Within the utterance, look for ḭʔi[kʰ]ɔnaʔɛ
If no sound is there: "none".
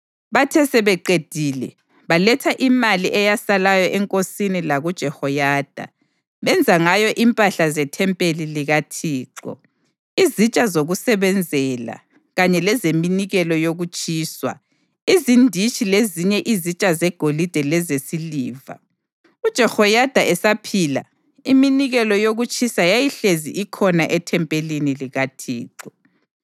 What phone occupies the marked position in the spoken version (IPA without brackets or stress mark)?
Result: kʰ